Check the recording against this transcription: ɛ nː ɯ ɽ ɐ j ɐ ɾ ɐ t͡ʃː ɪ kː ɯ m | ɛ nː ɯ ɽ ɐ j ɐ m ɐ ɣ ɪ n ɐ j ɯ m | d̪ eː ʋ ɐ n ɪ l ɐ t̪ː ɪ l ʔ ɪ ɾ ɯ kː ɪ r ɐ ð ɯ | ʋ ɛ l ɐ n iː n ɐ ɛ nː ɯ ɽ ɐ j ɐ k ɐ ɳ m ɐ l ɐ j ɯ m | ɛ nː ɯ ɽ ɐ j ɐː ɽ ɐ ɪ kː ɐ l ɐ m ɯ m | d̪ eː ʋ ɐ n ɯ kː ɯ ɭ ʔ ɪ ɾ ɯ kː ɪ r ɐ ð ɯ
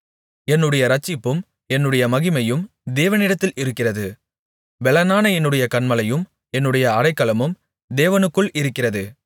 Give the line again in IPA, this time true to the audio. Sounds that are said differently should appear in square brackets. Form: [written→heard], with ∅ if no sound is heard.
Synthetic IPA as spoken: ɛ nː ɯ ɽ ɐ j ɐ ɾ ɐ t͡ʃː ɪ [kː→pː] ɯ m | ɛ nː ɯ ɽ ɐ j ɐ m ɐ ɣ ɪ [n→m] ɐ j ɯ m | d̪ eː ʋ ɐ n ɪ [l→ɽ] ɐ t̪ː ɪ l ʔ ɪ ɾ ɯ kː ɪ r ɐ ð ɯ | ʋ ɛ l ɐ n [iː→aː] n ɐ ɛ nː ɯ ɽ ɐ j ɐ k ɐ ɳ m ɐ l ɐ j ɯ m | ɛ nː ɯ ɽ ɐ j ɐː ɽ ɐ ɪ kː ɐ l ɐ m ɯ m | d̪ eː ʋ ɐ n ɯ kː ɯ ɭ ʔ ɪ ɾ ɯ kː ɪ r ɐ ð ɯ